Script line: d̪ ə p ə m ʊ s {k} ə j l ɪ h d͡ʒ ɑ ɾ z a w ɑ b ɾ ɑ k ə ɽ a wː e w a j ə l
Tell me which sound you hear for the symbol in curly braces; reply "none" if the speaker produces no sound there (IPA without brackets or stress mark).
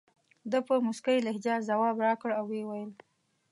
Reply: k